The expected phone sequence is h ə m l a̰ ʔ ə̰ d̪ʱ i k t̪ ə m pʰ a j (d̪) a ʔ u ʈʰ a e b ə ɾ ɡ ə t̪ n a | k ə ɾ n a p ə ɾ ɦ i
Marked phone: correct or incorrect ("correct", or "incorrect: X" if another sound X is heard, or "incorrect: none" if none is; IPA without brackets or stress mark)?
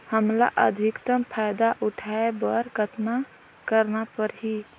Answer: correct